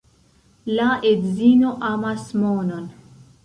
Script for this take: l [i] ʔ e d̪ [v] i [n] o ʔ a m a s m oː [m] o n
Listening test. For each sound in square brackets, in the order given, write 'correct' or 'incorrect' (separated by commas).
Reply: incorrect, incorrect, correct, incorrect